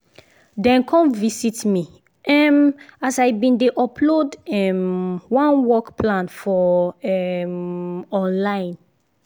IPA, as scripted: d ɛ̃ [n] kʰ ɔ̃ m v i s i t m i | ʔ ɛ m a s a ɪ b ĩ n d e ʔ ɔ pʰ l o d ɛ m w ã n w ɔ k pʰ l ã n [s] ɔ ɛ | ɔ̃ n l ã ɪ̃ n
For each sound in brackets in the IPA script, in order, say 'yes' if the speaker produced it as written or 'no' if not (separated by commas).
yes, no